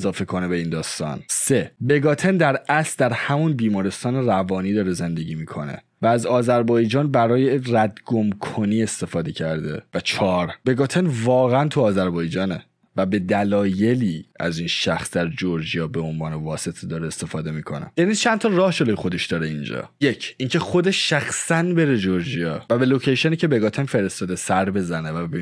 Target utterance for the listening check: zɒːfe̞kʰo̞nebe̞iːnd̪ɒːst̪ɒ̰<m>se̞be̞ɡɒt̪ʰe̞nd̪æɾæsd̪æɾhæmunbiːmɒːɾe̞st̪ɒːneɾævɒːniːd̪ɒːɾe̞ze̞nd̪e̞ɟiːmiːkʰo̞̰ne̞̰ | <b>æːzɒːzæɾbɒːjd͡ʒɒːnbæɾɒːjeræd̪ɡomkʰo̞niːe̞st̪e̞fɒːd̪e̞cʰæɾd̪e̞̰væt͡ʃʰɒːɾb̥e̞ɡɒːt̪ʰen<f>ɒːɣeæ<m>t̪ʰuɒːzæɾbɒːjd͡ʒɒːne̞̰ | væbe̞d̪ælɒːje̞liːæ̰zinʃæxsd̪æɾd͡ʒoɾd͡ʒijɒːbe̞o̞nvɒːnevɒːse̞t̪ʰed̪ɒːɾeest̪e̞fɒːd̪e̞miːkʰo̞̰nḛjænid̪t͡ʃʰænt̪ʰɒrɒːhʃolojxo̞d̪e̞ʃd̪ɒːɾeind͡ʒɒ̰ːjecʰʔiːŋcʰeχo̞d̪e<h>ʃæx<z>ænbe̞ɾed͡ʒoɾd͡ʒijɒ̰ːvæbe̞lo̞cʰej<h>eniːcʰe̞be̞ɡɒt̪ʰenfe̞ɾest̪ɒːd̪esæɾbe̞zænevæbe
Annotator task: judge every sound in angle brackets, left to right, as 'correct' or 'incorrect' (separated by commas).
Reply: incorrect, incorrect, incorrect, incorrect, incorrect, incorrect, incorrect